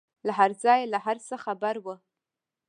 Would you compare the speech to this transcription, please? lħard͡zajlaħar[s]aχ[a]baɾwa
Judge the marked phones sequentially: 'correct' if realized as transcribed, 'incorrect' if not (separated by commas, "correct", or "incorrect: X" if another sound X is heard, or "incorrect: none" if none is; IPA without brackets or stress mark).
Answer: correct, correct